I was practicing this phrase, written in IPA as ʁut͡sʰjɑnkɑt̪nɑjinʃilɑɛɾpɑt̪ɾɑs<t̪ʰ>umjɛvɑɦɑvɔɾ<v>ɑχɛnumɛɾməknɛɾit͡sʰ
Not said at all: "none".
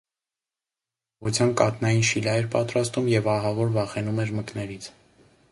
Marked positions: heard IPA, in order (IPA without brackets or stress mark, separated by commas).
t̪, v